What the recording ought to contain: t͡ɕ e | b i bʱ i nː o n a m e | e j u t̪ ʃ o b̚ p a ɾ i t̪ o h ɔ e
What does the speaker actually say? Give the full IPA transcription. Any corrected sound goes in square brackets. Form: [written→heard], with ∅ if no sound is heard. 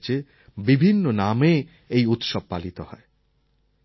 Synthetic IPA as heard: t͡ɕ e | b i bʱ i nː o n a m e | e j u t̪ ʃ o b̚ p a [ɾ→l] i t̪ o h ɔ e